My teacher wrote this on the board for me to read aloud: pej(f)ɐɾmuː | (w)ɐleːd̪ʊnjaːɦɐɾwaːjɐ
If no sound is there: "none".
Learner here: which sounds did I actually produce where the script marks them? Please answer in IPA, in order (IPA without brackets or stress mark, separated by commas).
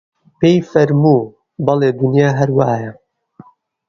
f, b